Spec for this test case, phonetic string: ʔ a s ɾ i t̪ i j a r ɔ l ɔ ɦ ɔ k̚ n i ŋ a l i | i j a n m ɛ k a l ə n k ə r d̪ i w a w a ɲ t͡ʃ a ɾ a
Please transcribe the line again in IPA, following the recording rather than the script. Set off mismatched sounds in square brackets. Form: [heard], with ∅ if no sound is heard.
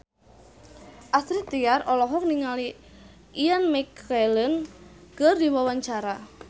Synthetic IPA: ʔ a s ɾ i t̪ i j a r ɔ l ɔ ɦ ɔ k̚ n i ŋ a l i | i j a n m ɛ k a l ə n k ə r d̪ i w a w a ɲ t͡ʃ a ɾ a